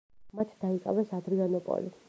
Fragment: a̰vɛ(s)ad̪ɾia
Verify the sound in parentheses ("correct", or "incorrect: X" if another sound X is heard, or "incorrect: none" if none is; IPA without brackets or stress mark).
correct